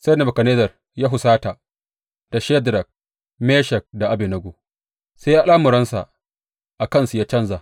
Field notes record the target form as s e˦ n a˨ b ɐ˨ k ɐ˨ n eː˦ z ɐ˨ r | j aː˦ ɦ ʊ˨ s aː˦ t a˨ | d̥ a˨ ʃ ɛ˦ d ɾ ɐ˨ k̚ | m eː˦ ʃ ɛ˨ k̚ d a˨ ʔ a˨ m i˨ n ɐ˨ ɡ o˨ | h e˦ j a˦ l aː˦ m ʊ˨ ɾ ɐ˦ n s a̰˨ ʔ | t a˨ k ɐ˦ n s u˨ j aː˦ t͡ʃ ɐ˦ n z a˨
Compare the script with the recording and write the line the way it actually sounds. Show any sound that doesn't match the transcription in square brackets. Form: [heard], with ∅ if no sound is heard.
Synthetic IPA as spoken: s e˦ n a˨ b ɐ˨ k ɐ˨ n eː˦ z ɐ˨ r | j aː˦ ɦ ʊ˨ s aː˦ t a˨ | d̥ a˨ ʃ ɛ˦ d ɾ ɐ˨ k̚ | m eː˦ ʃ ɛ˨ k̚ d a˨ ʔ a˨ [b] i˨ n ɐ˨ ɡ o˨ | [s] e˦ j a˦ l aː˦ m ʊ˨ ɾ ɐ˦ n s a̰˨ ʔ | [ʔ] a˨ k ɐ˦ n s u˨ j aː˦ t͡ʃ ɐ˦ n z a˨